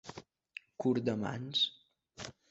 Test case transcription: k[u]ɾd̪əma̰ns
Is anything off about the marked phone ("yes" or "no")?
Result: no